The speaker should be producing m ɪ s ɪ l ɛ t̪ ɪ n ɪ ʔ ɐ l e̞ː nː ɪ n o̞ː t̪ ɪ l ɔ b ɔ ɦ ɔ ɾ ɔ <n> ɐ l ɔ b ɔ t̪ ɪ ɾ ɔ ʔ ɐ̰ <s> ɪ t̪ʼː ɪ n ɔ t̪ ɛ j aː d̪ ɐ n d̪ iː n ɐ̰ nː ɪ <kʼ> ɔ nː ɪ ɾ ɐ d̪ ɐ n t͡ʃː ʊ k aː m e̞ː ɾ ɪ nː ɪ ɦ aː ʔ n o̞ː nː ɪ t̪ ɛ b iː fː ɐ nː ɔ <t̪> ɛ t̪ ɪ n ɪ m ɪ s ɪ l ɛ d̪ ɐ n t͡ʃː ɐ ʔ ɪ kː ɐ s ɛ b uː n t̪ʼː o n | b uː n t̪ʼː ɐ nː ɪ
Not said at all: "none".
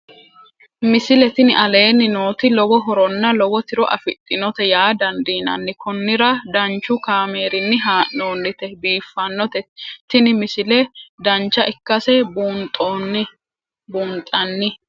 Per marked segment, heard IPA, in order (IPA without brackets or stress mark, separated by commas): nː, f, k, t̪